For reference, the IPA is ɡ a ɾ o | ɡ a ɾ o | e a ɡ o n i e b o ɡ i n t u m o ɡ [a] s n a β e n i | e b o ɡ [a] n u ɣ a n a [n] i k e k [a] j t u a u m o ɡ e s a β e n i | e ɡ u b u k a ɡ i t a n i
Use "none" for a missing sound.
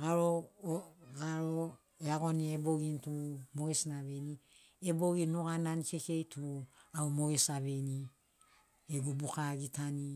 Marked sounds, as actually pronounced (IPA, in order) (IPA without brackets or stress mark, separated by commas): e, i, n, e